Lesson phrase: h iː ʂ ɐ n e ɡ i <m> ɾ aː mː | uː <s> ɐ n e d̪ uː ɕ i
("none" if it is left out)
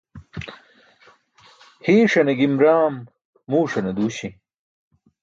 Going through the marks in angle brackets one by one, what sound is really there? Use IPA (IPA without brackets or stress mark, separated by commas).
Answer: m, ʂ